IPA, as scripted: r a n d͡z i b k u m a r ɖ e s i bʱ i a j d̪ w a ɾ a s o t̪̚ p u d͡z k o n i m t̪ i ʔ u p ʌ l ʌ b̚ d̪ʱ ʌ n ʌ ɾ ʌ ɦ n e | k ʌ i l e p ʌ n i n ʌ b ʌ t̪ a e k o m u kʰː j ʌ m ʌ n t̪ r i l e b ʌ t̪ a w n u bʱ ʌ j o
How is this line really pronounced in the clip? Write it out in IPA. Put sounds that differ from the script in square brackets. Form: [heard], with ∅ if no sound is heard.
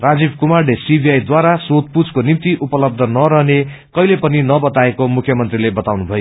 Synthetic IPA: r a [∅] d͡z i b k u m a r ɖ e s i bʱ i a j d̪ w a ɾ a s o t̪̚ p u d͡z k o n i m t̪ i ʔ u p ʌ l ʌ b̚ d̪ʱ ʌ n ʌ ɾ ʌ ɦ n e | k ʌ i l e p ʌ n i n ʌ b ʌ t̪ a e k o m u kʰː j ʌ m ʌ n t̪ r i l e b ʌ t̪ a w n u bʱ ʌ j o